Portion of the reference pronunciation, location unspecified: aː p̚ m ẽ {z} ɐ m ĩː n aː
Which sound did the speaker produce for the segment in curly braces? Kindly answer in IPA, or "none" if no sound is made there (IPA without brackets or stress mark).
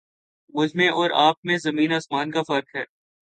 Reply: z